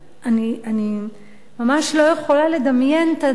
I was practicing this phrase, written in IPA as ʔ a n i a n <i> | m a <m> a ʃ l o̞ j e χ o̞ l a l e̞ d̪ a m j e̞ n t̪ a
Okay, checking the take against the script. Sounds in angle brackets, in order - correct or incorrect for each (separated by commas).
correct, correct